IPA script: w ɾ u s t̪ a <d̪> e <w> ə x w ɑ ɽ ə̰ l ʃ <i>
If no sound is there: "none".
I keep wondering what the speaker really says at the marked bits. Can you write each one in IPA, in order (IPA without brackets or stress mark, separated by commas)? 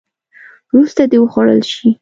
d̪, w, i